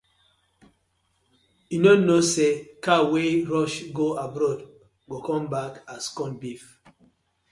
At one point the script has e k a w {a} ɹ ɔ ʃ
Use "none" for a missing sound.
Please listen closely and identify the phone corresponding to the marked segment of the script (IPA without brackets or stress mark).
e